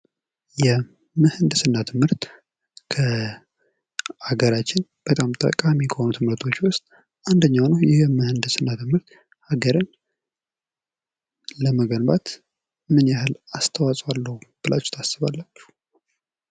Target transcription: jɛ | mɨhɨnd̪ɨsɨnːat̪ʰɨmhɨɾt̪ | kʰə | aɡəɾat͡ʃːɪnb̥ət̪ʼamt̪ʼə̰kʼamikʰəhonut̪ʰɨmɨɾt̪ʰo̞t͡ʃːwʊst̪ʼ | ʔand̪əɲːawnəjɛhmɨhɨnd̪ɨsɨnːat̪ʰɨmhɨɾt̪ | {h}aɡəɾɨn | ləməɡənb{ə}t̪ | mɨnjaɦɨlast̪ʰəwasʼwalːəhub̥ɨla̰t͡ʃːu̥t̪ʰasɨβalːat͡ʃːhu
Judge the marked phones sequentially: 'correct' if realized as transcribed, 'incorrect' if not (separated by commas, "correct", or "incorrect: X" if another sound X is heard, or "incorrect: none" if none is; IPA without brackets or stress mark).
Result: correct, incorrect: a